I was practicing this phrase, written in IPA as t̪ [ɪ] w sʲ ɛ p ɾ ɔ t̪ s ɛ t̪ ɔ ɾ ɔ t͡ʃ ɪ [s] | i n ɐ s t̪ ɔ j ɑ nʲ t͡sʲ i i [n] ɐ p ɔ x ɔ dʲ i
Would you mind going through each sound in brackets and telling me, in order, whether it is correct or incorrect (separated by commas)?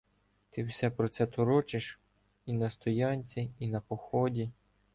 correct, incorrect, correct